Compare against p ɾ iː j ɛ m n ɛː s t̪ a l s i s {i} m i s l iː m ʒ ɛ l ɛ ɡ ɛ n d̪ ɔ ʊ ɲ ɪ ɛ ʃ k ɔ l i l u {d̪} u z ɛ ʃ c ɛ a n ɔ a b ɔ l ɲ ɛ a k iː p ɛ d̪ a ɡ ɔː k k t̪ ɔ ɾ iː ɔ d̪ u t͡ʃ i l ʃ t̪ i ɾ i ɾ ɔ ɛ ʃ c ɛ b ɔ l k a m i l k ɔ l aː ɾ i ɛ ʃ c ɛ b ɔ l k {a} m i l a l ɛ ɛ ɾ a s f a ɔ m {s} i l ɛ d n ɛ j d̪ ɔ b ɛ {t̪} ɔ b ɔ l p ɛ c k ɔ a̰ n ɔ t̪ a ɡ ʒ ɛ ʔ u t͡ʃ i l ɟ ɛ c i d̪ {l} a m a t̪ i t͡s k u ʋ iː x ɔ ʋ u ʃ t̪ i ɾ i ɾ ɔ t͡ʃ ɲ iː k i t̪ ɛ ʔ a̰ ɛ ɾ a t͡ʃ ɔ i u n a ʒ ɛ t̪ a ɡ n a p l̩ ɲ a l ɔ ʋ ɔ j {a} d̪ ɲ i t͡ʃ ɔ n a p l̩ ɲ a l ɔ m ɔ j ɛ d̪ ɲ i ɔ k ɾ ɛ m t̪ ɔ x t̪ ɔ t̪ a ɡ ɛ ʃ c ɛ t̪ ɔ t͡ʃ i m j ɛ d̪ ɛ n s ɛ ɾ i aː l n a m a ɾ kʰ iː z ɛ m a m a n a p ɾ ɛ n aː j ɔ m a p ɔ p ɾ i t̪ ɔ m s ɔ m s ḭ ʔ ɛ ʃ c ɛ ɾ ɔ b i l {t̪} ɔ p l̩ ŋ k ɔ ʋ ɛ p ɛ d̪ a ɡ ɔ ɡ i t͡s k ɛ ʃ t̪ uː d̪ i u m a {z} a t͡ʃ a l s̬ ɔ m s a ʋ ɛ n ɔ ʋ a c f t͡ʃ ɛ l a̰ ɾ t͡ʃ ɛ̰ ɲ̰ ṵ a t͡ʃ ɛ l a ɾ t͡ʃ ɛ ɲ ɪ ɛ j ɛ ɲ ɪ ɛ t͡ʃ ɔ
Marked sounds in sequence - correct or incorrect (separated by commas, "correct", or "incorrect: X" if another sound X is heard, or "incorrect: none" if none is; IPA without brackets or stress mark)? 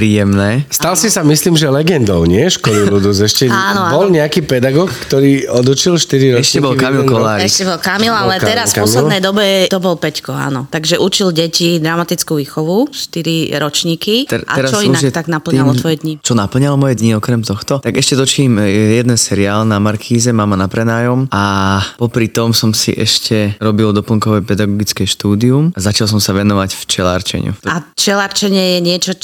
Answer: incorrect: a, correct, correct, correct, correct, incorrect: ɾ, incorrect: ɛ, incorrect: d̪, correct